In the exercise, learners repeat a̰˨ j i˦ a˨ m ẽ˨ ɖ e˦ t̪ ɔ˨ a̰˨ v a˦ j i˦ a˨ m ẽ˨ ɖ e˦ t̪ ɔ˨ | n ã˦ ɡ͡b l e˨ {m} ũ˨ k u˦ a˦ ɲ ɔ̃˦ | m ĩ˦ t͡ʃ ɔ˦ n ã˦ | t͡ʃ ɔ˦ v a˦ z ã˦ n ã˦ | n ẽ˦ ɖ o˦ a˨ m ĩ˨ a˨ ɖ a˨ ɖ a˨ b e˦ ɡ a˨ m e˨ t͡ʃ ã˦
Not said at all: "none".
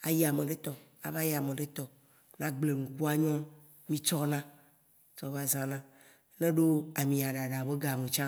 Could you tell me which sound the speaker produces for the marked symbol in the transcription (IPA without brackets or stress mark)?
ŋ